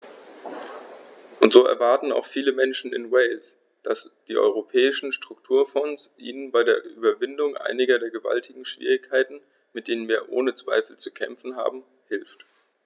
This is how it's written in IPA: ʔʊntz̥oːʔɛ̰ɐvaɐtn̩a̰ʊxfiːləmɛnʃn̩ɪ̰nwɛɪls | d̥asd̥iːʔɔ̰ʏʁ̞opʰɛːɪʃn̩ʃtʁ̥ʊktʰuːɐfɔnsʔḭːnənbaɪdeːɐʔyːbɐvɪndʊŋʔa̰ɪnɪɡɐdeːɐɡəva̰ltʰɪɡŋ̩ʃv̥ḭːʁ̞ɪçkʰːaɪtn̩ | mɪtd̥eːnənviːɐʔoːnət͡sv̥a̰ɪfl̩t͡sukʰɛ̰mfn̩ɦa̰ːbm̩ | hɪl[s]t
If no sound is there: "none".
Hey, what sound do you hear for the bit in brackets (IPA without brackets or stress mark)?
f